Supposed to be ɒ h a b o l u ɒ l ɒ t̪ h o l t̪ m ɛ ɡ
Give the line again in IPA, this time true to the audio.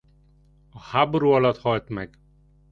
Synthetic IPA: ɒ h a b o ɾ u ɒ l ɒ t̪ h ɒ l t̪ m ɛ ɡ

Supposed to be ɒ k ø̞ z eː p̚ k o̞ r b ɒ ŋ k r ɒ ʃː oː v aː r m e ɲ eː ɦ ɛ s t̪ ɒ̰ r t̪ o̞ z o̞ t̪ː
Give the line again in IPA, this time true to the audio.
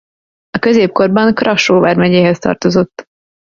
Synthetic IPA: ɒ k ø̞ z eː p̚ k o̞ r b ɒ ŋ k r ɒ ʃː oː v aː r m ɛ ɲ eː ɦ ɛ s t̪ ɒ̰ r t̪ o̞ z o̞ t̪ː

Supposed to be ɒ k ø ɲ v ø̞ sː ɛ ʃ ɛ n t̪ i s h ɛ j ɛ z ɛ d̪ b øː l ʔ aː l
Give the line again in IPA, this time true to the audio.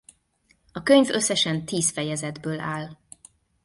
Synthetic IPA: ɒ k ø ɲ v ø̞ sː ɛ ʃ ɛ n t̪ iː s f ɛ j ɛ z ɛ d̪ b øː l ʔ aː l

